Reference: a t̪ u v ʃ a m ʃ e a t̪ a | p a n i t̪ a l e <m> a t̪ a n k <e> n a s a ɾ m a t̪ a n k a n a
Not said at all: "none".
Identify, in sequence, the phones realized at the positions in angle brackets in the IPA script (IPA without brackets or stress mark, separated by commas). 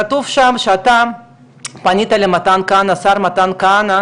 m, a